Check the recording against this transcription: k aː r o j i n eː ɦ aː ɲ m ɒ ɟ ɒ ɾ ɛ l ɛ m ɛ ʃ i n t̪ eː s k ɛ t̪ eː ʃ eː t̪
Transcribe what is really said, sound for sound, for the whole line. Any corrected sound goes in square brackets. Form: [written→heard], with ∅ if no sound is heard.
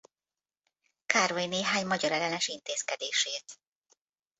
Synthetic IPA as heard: k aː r o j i n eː ɦ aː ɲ m ɒ ɟ ɒ ɾ ɛ l ɛ [m→n] ɛ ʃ i n t̪ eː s k ɛ [t̪→d̪] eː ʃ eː t̪